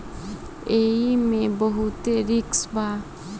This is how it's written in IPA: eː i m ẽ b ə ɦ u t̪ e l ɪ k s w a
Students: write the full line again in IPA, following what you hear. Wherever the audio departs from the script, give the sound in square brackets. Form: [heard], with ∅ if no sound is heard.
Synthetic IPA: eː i m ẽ b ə ɦ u t̪ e [ɾ] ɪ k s [b] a